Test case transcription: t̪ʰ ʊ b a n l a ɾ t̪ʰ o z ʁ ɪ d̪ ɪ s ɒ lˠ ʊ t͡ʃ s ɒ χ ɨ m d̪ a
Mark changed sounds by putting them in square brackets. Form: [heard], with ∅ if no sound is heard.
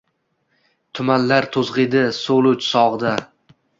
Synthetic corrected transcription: t̪ʰ ʊ [m] a n l a ɾ t̪ʰ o z ʁ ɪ d̪ ɪ s [o] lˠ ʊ t͡ʃ s ɒ [ʁ] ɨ [∅] d̪ a